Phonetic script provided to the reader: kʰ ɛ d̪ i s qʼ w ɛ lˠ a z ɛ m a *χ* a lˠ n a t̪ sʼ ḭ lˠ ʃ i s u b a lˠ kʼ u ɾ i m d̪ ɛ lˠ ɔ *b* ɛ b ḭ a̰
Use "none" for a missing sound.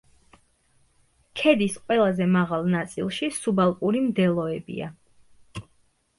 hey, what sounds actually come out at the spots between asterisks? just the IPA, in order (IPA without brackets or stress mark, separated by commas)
ʁ, none